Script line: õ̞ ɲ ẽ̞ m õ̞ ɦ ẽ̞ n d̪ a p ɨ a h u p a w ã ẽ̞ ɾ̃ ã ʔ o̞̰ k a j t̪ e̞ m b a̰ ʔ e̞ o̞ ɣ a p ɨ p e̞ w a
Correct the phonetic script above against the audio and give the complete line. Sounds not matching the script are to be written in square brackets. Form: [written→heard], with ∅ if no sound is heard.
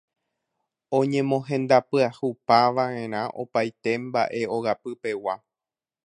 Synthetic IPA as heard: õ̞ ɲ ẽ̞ m õ̞ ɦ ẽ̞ n d̪ a p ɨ a h u p a [w→ʋ] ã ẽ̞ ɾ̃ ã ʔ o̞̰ [k→p] a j t̪ e̞ m b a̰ ʔ e̞ o̞ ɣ a p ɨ p e̞ w a